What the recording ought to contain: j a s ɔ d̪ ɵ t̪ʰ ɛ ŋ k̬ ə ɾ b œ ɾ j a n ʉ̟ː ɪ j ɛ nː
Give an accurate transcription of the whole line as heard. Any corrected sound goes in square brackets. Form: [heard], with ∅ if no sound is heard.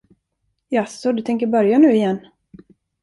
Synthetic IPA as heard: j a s ɔ d̪ ɵ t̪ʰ ɛ ŋ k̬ ə ɾ b œ ɾ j a n ʉ̟ː ɪ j ɛ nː